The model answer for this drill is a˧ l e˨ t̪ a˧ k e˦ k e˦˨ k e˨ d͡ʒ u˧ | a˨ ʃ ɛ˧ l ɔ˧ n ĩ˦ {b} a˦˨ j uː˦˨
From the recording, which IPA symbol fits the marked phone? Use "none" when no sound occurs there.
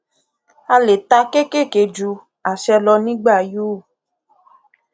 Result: ɡ͡b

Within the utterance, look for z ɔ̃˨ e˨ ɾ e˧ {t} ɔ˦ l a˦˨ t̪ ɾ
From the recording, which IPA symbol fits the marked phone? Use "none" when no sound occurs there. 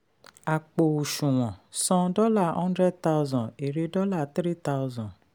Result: d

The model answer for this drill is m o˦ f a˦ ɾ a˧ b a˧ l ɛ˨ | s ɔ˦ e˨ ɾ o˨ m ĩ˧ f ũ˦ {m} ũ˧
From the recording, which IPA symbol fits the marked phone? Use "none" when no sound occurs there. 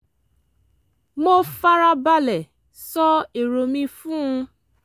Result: none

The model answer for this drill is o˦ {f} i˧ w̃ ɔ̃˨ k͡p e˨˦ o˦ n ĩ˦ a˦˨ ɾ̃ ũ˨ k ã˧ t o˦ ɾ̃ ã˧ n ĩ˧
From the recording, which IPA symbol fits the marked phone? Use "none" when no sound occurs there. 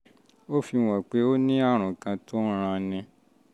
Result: f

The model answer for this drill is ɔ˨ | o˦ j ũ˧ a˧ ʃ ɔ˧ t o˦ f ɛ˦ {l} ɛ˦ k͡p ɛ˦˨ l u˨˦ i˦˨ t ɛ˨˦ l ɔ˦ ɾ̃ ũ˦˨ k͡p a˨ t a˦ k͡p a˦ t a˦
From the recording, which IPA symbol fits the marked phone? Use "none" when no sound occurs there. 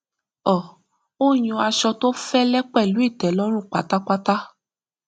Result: l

